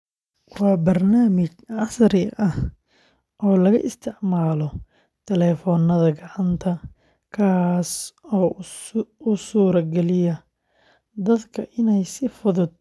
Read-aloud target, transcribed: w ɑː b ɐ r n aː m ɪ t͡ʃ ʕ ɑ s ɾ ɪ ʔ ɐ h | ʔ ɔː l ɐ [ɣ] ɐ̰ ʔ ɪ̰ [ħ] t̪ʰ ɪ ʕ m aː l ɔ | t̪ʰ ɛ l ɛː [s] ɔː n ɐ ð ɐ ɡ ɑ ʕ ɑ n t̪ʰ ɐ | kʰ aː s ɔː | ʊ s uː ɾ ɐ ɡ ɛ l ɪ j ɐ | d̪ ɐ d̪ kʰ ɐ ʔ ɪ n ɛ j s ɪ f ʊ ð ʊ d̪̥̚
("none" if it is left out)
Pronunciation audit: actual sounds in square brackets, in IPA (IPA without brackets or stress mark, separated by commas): ɣ, s, f